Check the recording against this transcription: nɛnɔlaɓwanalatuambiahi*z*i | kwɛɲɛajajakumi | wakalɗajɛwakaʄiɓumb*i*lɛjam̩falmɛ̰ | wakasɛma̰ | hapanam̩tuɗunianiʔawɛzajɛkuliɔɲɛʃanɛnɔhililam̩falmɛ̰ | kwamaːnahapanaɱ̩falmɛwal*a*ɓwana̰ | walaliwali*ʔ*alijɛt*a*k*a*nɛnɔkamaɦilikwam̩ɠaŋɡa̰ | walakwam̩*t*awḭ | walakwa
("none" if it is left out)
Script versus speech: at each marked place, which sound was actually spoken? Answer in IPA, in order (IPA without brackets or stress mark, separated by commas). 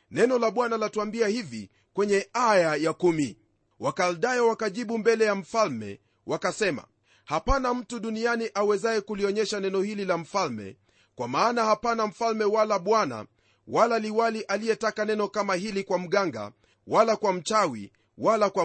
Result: v, ɛ, a, ʔ, a, a, t͡ʃ